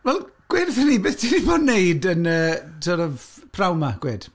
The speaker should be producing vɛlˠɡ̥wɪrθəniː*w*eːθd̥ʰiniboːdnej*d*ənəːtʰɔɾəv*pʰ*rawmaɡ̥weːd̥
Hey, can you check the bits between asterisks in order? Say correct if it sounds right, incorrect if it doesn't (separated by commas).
incorrect, correct, correct